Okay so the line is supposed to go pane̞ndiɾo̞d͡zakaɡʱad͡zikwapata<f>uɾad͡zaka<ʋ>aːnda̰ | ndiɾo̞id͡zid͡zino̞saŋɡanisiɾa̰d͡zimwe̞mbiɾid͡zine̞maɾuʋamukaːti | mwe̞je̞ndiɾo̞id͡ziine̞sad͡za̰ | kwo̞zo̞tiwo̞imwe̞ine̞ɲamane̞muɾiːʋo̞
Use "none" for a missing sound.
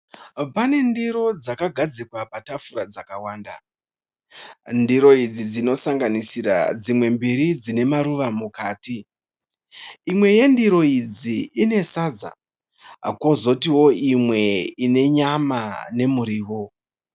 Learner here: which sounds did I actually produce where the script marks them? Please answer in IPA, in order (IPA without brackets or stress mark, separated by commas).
f, w